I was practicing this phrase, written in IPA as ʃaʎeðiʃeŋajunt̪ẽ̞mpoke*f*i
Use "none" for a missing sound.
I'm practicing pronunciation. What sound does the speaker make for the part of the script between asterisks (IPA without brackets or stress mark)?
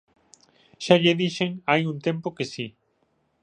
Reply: s